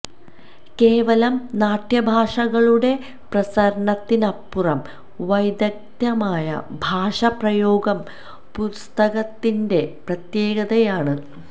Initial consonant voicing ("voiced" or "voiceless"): voiceless